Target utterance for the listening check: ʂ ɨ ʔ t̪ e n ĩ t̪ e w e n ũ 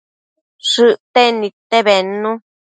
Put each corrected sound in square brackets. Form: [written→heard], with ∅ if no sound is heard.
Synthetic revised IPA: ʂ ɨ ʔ t̪ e n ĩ t̪ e [w→β] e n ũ